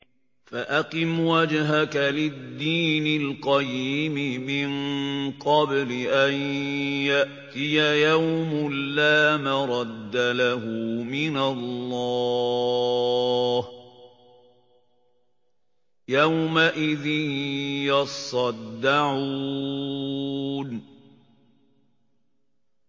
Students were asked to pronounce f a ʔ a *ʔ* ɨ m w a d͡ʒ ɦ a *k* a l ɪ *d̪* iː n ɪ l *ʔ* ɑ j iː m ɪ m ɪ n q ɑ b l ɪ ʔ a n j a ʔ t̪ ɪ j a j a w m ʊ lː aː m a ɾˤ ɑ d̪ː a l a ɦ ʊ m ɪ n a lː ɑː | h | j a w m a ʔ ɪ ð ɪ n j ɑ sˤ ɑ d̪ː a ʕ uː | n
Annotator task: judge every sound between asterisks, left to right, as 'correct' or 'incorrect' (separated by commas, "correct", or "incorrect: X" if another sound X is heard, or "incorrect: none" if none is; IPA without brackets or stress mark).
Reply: incorrect: q, correct, incorrect: d̪ː, incorrect: q